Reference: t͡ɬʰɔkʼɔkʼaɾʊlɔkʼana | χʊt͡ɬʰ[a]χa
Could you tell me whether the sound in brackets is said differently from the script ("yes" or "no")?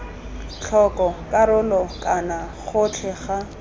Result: yes